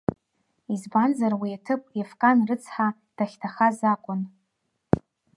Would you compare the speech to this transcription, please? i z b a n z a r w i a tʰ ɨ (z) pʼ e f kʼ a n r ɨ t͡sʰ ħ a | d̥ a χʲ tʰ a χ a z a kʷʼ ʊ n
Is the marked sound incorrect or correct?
incorrect